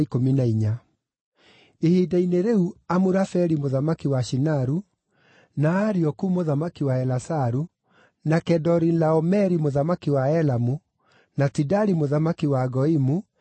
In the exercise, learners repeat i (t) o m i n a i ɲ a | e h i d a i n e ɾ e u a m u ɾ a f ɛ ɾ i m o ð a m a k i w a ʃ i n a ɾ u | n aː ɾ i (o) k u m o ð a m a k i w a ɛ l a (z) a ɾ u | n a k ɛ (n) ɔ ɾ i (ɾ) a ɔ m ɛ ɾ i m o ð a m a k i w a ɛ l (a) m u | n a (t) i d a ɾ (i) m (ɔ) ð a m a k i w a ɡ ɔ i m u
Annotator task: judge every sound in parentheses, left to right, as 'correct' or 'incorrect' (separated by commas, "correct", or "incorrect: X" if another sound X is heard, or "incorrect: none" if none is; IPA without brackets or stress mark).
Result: incorrect: k, incorrect: ɔ, incorrect: s, incorrect: d, incorrect: l, correct, correct, correct, incorrect: o